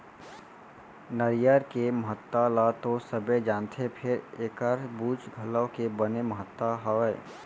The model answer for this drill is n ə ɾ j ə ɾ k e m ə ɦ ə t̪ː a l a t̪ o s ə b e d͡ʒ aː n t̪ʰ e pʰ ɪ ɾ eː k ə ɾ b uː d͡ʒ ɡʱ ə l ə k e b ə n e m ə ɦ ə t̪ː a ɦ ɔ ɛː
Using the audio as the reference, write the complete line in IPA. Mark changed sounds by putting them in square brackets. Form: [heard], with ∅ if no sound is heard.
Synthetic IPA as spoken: n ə ɾ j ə ɾ k e m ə ɦ ə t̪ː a l a t̪ o s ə b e d͡ʒ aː n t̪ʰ e pʰ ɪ ɾ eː k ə ɾ b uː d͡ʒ ɡʱ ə l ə k e b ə n e m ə ɦ ə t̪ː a ɦ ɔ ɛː